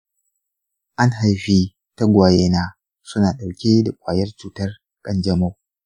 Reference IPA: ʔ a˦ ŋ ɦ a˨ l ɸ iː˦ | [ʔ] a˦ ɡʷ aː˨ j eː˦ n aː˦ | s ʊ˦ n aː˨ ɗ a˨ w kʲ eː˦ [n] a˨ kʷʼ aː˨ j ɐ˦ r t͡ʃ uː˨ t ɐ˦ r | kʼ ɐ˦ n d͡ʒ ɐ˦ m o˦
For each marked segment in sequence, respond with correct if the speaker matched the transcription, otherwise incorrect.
incorrect: t, incorrect: d

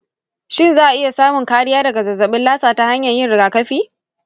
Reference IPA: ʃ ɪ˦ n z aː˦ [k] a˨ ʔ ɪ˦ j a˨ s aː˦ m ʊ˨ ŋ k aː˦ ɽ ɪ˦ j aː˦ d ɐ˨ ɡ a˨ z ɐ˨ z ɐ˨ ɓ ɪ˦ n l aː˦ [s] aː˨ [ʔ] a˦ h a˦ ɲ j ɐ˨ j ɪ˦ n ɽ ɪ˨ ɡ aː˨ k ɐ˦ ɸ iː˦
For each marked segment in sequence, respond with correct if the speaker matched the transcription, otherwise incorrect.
incorrect: ʔ, correct, incorrect: t

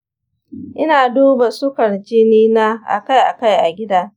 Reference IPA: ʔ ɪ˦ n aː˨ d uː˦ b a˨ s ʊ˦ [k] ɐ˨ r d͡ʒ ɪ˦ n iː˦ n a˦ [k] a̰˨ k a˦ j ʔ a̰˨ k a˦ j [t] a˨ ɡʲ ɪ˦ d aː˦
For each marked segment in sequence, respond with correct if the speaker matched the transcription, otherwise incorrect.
correct, incorrect: ʔ, incorrect: ʔ

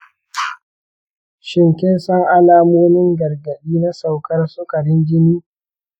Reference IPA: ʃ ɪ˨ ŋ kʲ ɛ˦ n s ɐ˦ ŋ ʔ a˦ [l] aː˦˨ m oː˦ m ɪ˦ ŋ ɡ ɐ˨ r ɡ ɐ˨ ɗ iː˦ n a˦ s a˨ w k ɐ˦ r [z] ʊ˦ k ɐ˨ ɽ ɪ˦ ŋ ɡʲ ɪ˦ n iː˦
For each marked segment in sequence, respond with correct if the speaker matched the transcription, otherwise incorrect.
correct, incorrect: s

